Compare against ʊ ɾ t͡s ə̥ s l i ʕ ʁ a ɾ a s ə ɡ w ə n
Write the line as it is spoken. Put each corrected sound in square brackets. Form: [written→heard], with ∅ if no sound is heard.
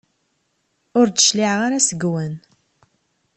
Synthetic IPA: ʊ ɾ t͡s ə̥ [s→ʃ] l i ʕ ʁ a ɾ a s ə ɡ w ə n